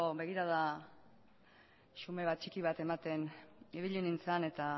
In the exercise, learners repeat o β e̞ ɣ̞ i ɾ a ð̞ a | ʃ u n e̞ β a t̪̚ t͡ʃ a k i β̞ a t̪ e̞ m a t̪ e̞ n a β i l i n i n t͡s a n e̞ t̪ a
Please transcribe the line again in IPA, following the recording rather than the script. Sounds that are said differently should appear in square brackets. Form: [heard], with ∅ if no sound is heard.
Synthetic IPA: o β e̞ ɣ̞ i ɾ a ð̞ a | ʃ u [m] e̞ β a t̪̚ t͡ʃ [i] k i β̞ a t̪ e̞ m a t̪ e̞ n [i] β i [ʎ] i n i n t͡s a n e̞ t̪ a